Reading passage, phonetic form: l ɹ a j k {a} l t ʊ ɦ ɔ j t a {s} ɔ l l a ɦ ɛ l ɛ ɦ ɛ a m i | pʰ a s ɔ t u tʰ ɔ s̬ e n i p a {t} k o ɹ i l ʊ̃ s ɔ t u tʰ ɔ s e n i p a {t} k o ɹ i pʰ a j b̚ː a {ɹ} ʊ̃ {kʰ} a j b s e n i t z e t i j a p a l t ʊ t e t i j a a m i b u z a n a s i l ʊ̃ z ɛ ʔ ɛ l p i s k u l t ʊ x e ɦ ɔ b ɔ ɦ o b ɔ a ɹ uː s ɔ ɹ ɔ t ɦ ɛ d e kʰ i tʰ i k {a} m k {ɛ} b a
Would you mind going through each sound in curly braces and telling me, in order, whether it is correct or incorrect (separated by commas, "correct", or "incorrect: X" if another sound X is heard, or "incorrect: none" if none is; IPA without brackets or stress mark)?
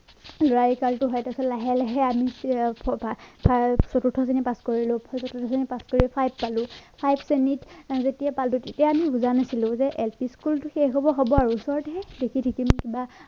correct, correct, incorrect: s, incorrect: s, incorrect: l, incorrect: pʰ, incorrect: i, incorrect: i